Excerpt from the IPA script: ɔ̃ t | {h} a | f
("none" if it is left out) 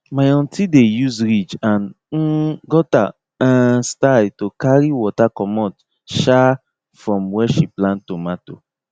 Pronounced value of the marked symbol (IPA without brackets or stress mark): ʃ